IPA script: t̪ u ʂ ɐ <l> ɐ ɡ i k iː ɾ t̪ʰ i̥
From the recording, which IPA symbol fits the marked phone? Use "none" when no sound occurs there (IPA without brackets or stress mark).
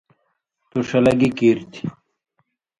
l